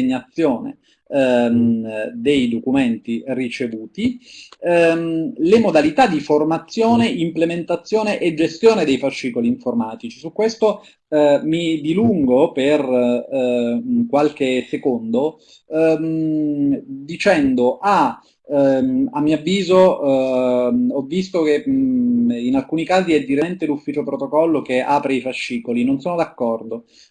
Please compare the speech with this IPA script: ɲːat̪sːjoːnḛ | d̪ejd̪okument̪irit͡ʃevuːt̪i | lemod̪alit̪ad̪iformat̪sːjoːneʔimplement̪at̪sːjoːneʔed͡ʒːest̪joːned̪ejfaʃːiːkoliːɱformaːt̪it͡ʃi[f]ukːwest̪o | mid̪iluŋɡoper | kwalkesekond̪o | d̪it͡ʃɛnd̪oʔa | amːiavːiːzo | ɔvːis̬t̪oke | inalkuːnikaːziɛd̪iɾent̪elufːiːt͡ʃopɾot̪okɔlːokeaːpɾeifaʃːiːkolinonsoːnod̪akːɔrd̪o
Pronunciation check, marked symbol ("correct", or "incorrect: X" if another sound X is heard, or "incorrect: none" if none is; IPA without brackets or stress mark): incorrect: s